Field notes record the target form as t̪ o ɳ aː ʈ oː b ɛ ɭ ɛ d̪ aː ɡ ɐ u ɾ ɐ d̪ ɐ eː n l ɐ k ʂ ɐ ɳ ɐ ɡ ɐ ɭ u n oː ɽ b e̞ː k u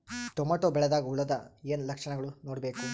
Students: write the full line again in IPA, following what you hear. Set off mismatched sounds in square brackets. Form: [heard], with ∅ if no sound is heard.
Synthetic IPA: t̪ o [m] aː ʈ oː b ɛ ɭ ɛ d̪ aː ɡ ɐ u [ɭ] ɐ d̪ ɐ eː n l ɐ k ʂ ɐ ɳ ɐ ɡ ɐ ɭ u n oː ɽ b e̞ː k u